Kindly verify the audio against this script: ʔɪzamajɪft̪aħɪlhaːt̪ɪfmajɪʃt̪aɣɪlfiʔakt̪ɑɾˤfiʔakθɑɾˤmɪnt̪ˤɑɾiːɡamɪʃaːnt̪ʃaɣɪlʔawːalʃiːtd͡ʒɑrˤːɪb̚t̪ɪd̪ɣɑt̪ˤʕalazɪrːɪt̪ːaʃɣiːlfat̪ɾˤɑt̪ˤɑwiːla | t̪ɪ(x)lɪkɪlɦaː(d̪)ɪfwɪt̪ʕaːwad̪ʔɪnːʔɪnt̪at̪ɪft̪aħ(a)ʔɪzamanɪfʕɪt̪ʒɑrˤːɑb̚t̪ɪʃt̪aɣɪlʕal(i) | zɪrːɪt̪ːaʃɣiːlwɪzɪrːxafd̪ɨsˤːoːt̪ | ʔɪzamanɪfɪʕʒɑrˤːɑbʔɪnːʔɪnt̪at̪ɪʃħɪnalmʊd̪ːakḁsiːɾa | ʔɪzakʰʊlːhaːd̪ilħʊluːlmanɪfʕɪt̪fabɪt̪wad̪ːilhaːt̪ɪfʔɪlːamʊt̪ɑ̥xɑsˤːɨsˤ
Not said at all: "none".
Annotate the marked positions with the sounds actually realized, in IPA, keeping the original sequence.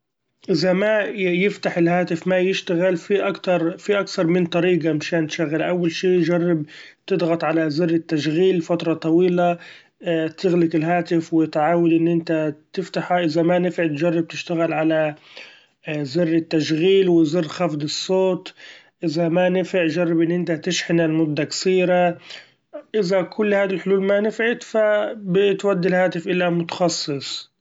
ɣ, t̪, a, a

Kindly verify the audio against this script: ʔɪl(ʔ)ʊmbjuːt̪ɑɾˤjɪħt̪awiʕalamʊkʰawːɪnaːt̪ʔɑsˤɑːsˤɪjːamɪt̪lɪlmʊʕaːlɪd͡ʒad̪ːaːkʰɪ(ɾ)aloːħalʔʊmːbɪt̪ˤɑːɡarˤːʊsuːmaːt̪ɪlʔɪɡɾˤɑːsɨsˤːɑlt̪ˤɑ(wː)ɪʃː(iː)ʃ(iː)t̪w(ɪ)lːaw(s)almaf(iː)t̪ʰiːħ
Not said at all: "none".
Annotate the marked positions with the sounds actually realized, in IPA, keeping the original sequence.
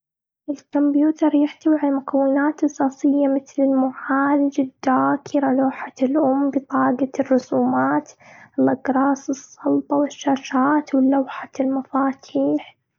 k, ɾ, w, aː, aː, ɪ, ħ, aː

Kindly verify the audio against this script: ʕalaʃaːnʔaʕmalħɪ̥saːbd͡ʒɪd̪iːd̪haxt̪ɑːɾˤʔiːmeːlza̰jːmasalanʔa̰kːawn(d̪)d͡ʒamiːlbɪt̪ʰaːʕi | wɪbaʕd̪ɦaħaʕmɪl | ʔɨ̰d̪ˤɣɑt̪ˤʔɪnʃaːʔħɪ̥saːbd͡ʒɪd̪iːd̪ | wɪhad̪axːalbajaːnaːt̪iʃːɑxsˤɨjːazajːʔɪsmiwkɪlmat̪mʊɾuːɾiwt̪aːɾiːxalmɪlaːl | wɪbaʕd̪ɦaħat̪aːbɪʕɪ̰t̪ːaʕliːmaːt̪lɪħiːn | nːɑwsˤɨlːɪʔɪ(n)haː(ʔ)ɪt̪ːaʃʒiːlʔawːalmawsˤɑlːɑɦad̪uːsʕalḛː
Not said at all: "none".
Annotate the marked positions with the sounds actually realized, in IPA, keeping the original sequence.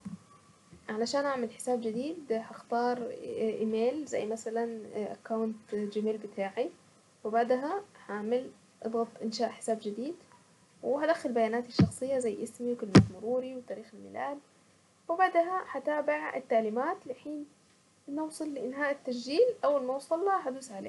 t̪, n, ʔ

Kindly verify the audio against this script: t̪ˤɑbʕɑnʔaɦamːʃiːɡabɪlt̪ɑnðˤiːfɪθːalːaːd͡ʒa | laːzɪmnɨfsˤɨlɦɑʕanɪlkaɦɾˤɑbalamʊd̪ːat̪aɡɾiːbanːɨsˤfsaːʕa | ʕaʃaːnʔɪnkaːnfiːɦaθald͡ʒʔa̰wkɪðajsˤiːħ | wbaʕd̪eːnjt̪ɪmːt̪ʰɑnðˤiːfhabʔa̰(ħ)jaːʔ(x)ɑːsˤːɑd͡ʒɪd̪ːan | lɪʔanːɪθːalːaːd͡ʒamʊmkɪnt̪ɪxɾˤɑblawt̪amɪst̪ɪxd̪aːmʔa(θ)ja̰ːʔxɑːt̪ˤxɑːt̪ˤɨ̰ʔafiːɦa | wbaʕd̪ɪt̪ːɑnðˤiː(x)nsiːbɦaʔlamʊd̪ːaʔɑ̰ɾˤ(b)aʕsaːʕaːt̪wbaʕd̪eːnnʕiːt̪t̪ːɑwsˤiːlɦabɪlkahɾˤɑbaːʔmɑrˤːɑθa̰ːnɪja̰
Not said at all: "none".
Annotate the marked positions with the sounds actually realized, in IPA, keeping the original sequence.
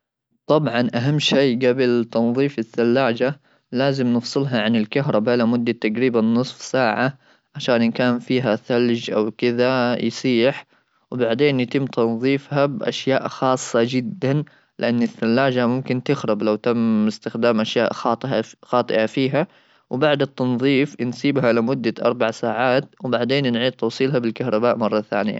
ʃ, x, ʃ, f, b

